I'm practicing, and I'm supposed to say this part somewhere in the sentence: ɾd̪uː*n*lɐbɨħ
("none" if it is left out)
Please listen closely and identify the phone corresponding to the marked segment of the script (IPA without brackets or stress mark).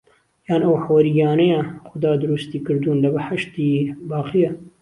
n